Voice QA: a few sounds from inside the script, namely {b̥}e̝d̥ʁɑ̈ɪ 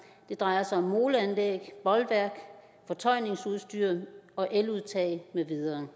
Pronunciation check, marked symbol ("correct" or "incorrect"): incorrect